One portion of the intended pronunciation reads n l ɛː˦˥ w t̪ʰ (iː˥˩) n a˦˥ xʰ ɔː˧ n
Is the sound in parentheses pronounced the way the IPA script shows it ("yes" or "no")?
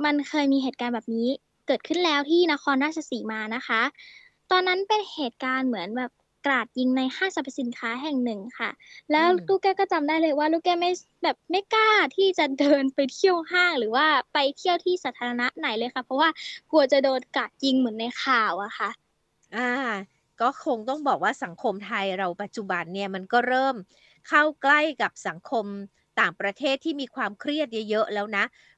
yes